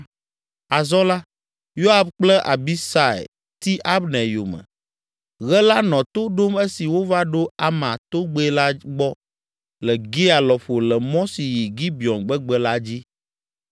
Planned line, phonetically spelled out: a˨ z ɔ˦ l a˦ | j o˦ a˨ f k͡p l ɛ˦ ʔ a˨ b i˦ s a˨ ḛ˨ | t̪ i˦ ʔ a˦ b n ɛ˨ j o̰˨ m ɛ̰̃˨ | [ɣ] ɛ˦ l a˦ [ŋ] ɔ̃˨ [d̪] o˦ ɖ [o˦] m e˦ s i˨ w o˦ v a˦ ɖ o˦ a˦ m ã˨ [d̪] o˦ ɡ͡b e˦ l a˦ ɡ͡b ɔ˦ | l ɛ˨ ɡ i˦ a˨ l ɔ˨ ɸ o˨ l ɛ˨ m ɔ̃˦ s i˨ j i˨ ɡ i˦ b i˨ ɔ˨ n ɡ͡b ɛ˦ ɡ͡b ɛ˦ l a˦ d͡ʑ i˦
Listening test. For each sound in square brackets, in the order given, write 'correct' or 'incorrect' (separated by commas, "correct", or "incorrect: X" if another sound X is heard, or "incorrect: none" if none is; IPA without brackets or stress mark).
correct, incorrect: n, incorrect: t̪, correct, incorrect: t̪